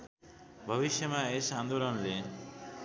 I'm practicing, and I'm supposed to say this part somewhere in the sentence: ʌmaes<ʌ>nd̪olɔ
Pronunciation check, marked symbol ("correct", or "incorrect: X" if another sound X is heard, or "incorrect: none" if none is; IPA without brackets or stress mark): incorrect: a